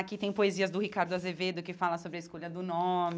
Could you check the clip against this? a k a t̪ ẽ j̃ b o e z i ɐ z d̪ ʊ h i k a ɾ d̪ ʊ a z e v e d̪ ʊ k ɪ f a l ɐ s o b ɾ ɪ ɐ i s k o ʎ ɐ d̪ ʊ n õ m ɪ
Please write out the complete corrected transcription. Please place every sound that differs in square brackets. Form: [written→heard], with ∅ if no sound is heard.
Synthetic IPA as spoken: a k [a→i] t̪ ẽ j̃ [b→p] o e z i ɐ z d̪ ʊ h i k a ɾ d̪ ʊ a z e v e d̪ ʊ k ɪ f a l ɐ s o b ɾ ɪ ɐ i s k o ʎ ɐ d̪ ʊ n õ m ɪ